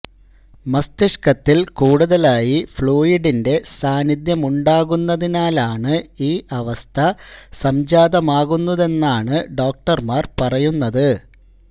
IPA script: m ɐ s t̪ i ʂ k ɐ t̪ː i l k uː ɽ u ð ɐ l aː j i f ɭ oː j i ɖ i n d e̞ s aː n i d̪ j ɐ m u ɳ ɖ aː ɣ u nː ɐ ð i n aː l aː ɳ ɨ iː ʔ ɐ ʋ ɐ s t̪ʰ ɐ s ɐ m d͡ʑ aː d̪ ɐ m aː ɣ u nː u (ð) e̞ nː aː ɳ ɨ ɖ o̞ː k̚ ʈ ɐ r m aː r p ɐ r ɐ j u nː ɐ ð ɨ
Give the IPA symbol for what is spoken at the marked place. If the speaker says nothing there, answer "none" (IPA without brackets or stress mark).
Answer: ð